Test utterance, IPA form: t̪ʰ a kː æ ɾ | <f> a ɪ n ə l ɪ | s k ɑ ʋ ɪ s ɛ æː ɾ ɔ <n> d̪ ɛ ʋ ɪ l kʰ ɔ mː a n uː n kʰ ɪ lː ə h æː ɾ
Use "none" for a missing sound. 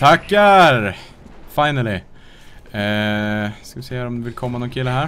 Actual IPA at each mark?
f, m

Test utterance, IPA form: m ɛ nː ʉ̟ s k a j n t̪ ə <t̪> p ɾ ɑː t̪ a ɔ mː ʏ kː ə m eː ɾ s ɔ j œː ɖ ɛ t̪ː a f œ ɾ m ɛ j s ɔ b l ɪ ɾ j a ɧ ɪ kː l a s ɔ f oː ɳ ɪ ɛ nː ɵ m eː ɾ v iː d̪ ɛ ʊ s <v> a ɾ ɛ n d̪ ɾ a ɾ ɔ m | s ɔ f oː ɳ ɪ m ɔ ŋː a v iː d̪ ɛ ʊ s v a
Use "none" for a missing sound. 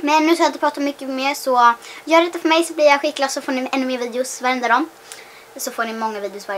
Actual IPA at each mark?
none, v

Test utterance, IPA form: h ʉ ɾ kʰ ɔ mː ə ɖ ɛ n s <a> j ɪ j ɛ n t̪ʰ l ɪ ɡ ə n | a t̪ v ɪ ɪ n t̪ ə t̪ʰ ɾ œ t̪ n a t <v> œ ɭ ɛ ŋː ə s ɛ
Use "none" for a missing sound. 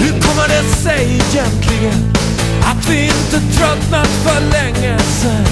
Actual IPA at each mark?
ɛ, f

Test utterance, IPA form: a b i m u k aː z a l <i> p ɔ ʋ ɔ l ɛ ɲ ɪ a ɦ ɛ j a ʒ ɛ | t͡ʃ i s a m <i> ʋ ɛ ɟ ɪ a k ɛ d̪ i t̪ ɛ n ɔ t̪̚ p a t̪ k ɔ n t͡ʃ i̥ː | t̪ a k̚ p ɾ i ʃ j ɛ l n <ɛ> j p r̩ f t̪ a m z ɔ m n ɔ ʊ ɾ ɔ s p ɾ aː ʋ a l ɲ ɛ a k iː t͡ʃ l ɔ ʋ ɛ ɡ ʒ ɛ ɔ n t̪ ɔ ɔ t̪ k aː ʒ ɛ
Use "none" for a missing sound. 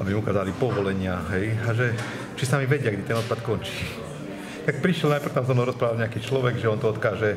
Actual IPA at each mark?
i, i, a

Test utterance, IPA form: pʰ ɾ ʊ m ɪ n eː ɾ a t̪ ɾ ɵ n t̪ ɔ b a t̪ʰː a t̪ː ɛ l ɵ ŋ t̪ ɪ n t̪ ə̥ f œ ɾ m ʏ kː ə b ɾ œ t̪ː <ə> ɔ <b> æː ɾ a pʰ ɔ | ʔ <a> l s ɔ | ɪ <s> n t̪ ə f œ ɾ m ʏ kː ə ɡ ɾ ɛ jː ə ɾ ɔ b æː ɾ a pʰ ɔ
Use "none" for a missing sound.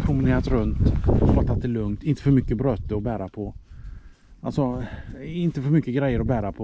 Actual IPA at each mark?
ə, b, a, none

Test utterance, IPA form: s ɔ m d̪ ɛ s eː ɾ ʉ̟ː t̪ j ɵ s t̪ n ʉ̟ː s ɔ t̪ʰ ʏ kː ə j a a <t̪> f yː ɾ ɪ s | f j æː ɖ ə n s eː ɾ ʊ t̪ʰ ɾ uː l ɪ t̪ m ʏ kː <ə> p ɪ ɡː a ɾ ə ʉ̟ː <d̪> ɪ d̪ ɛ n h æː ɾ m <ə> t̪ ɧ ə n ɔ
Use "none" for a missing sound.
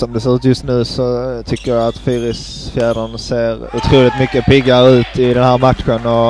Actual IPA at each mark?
t̪, ə, t̪, a

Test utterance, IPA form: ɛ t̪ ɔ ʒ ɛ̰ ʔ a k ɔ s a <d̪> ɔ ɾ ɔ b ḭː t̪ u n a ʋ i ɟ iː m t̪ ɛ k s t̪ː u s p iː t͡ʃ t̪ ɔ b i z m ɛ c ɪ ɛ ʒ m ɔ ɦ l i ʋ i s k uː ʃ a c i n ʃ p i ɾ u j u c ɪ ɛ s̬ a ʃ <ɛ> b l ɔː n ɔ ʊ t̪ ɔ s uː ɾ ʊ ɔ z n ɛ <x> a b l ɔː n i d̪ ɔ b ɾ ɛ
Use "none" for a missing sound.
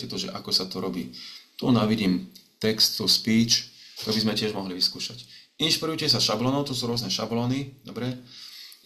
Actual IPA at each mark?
t̪, a, ʃ

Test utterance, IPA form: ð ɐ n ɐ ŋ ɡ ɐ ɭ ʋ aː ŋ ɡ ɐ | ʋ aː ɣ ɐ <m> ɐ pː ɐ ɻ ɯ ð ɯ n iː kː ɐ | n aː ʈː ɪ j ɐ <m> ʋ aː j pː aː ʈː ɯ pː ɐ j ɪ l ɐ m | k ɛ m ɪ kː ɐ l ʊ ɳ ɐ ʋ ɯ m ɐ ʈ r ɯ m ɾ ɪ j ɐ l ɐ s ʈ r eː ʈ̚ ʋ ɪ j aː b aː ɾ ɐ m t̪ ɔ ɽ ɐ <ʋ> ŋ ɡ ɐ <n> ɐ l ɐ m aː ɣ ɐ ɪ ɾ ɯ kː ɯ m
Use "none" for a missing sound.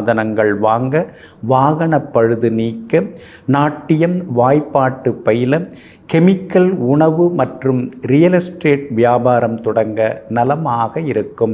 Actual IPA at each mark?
ɳ, m, none, n

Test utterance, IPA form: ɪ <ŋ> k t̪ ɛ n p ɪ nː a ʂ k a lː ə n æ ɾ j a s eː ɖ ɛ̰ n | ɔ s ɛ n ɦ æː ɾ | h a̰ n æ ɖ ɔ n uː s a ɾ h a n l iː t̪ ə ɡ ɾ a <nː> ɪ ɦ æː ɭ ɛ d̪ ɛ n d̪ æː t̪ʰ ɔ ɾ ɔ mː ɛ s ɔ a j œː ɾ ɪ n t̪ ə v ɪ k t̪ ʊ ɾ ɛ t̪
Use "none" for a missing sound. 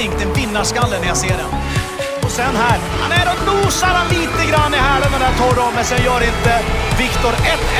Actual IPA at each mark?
ŋ, nː

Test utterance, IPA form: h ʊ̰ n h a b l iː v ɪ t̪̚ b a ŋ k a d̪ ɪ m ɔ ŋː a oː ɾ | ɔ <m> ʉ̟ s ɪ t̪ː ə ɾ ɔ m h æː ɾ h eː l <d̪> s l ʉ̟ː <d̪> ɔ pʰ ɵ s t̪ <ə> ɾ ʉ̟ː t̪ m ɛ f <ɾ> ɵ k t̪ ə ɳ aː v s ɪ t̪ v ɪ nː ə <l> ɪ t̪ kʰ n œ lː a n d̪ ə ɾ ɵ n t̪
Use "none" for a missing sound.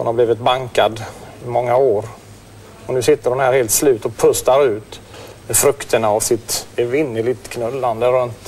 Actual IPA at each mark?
n, t̪, t̪, a, ɾ, l

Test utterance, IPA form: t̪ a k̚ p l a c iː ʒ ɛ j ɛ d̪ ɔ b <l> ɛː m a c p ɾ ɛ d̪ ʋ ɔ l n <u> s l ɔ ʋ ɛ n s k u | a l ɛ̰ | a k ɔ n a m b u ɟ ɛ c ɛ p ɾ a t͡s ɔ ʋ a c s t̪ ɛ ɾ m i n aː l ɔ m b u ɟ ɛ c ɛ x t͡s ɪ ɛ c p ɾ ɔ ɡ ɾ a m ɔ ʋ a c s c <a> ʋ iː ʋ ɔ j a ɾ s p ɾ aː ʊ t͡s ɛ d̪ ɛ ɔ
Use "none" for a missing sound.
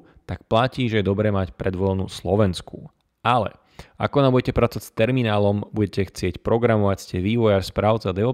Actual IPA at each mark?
ɾ, u, ɛ

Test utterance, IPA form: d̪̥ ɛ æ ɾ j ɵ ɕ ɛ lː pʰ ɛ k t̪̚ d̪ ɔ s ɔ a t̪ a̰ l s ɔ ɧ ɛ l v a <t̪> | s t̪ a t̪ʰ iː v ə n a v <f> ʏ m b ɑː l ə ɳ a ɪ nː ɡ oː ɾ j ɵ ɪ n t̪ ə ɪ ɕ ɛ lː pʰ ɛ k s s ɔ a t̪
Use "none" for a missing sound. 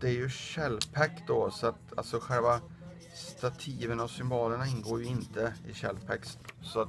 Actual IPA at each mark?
none, s

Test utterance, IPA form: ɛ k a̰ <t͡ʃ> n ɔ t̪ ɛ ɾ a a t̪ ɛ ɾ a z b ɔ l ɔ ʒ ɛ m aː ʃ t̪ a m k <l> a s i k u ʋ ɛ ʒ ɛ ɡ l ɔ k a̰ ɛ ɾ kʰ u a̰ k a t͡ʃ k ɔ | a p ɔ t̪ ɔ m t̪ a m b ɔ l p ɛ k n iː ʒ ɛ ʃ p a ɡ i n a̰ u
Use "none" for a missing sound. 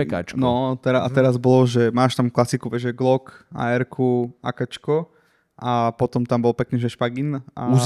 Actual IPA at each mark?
t͡ʃ, l

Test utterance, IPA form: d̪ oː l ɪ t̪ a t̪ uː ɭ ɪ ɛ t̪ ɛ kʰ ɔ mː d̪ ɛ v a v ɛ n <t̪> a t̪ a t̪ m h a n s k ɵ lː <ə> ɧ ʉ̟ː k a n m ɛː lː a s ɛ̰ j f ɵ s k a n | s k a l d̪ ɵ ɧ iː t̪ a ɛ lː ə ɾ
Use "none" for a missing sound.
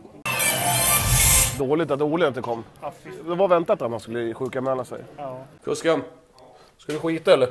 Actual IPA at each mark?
t̪, ə

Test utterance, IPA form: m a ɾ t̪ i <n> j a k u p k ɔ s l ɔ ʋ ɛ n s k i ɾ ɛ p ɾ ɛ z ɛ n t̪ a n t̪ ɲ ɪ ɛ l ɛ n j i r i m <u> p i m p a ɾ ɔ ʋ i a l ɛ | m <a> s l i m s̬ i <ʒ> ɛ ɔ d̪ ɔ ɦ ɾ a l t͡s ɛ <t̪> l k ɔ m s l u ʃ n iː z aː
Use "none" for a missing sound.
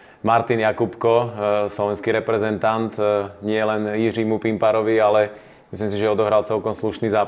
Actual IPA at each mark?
n, u, i, ʒ, none

